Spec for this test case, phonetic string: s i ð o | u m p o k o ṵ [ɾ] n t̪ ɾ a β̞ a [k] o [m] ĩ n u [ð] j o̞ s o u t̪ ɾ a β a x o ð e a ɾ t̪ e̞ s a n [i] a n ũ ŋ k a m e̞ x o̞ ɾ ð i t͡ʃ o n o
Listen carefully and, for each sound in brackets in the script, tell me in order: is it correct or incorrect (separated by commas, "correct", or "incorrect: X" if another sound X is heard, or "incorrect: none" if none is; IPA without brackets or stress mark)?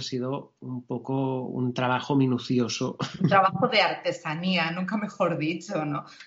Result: incorrect: none, incorrect: x, correct, incorrect: θ, correct